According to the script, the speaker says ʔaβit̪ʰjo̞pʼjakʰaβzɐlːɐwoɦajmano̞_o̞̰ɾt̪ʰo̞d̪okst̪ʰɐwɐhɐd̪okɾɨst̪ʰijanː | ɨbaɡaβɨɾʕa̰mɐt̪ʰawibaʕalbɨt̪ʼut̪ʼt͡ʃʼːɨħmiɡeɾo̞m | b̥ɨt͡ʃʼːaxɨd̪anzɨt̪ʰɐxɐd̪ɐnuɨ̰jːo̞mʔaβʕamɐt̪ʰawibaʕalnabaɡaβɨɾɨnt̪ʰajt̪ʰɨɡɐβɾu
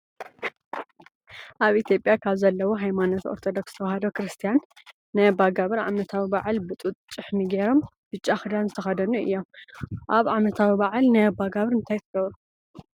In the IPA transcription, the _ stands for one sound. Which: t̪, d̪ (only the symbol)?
t̪